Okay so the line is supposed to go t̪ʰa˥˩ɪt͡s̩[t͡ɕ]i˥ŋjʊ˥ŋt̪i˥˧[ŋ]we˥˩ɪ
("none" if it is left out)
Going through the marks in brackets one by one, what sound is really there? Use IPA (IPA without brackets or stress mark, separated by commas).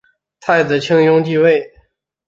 t͡ɕʰ, none